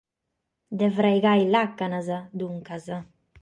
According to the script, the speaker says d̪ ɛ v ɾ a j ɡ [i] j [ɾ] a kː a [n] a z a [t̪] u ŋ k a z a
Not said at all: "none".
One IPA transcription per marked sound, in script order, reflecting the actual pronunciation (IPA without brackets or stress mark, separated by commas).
a, l, n, d̪